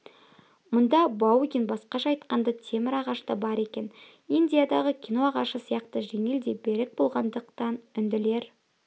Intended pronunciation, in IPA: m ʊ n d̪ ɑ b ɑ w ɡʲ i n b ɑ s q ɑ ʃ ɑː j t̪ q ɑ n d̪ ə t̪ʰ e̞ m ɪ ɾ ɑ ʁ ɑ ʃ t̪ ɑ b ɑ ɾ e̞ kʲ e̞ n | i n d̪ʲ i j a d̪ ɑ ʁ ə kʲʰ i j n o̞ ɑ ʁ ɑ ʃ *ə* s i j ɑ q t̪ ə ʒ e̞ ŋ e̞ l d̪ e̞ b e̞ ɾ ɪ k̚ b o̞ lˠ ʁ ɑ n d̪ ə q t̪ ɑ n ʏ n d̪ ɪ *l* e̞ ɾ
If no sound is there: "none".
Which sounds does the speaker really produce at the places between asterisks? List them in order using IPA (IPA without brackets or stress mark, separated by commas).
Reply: ə, l